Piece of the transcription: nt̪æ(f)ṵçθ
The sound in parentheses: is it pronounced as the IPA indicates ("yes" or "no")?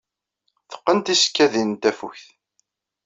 yes